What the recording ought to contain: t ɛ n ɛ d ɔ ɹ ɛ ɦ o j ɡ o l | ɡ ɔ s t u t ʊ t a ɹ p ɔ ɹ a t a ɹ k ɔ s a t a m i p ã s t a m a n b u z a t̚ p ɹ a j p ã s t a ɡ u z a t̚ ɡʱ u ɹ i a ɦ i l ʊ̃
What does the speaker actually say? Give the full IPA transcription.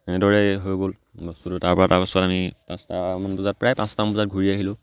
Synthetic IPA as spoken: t ɛ n ɛ d ɔ ɹ ɛ ɦ o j ɡ o l | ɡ ɔ s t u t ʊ t a ɹ p ɔ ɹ a t a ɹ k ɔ s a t a m i p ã s t a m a n b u z a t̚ p ɹ a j p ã s t a b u z a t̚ ɡʱ u ɹ i a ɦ i l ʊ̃